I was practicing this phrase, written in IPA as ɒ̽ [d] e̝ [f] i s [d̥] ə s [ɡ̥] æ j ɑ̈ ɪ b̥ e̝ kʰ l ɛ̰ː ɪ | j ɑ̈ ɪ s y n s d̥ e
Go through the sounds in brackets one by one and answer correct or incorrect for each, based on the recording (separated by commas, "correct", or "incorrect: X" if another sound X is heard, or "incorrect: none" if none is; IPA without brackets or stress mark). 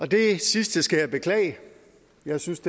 correct, incorrect: s, correct, correct